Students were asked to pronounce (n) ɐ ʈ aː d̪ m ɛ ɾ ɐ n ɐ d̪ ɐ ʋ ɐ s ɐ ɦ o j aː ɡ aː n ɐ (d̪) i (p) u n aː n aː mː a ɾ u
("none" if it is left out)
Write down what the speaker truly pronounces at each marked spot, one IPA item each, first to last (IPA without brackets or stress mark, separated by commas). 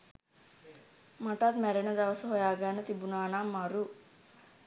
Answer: m, t̪, b